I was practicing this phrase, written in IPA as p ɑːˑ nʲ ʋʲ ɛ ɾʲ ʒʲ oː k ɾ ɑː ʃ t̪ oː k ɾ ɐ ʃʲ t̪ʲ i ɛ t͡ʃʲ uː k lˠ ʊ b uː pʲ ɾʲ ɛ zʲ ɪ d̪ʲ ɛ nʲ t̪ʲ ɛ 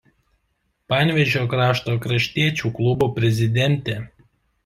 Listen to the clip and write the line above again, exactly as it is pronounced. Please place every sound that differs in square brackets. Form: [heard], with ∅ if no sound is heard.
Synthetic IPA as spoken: p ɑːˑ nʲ ʋʲ ɛ [∅] ʒʲ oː k ɾ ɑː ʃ t̪ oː k ɾ ɐ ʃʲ t̪ʲ i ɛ t͡ʃʲ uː k lˠ ʊ b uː pʲ ɾʲ ɛ zʲ ɪ d̪ʲ ɛ nʲ t̪ʲ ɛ